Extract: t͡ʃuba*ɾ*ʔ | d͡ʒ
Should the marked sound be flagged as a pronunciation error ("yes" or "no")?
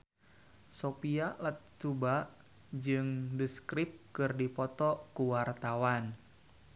yes